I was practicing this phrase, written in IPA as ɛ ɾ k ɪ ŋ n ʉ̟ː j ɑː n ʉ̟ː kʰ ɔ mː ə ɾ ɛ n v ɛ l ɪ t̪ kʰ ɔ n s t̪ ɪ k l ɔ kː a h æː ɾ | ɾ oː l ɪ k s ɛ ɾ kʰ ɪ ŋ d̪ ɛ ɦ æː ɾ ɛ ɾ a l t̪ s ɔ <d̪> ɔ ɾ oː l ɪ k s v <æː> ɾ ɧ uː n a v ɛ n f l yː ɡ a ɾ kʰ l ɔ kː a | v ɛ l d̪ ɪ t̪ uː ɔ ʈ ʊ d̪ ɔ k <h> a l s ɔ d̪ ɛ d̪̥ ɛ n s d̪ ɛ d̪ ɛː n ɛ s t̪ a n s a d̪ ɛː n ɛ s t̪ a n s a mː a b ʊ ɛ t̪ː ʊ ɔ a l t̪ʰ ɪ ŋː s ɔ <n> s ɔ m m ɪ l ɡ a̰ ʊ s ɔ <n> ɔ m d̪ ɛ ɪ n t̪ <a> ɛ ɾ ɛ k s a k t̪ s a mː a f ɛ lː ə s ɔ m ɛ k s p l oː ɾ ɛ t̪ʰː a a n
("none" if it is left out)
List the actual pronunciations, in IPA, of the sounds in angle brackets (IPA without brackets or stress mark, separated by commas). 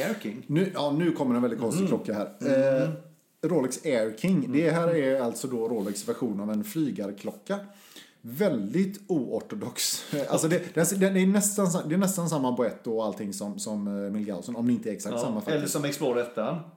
d̪, æ, s, m, n, ə